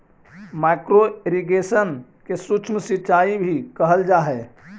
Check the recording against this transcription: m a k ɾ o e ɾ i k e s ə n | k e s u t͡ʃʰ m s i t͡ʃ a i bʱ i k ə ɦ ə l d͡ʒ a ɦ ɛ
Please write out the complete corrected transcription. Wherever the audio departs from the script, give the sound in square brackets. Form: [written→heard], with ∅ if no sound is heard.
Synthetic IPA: m a k ɾ o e ɾ i [k→ɡ] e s ə n | k e s u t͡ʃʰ m s i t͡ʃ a i bʱ i k ə ɦ ə l d͡ʒ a ɦ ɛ